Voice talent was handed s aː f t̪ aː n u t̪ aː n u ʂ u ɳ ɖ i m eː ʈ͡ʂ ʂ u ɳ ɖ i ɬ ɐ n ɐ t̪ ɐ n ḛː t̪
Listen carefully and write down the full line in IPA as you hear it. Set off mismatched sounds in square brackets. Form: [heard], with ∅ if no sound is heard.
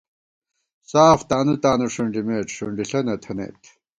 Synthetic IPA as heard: s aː f t̪ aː n u t̪ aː n u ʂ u ɳ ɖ i m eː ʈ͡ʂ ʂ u ɳ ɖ i ɬ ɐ n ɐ [t̪ʰ] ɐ n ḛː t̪